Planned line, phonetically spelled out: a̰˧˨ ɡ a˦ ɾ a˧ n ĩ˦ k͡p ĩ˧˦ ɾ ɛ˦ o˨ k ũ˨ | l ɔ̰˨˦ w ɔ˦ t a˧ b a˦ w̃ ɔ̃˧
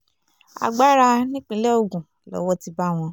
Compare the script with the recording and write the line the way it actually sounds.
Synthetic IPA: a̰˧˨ ɡ͡b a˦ ɾ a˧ n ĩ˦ k͡p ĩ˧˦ l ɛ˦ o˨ ɡ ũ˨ | l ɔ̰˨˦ w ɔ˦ t i˧ b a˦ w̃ ɔ̃˧